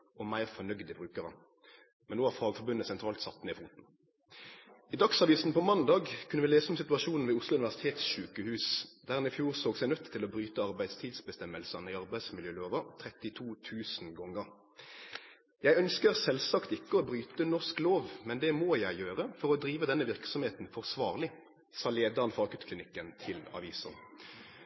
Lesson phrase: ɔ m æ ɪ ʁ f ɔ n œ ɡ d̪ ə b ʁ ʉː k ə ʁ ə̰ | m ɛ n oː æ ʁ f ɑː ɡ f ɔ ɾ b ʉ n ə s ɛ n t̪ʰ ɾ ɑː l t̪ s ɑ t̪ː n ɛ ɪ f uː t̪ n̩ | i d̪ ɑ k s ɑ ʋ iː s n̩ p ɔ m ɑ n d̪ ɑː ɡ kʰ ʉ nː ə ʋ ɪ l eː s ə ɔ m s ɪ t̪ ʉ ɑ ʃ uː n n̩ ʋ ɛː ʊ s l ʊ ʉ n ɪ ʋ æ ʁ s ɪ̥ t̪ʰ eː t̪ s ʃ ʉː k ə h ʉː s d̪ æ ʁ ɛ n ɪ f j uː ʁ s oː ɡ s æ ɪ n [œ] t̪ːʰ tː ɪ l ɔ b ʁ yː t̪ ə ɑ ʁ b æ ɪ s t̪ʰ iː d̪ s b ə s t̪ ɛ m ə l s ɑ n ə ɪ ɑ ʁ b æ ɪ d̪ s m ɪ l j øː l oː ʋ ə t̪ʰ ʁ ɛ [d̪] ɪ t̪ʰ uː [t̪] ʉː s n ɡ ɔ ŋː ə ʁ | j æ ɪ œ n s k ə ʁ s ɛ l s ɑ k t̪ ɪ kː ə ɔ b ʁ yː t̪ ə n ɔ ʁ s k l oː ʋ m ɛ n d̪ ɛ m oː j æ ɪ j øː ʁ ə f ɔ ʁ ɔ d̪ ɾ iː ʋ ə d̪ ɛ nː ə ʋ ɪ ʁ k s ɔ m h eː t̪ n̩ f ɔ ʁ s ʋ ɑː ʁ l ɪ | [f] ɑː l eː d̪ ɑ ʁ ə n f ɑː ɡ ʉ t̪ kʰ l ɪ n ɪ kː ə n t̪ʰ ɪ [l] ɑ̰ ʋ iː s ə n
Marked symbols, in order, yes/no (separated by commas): yes, no, no, no, yes